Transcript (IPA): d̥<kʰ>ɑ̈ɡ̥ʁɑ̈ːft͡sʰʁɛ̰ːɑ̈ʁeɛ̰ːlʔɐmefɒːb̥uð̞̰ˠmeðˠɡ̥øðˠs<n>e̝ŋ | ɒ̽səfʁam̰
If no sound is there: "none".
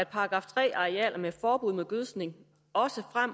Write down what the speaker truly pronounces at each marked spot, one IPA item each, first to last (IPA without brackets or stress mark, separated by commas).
pʰ, n